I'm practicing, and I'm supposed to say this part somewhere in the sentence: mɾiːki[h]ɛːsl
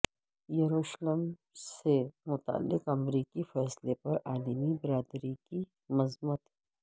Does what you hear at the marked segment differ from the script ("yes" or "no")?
yes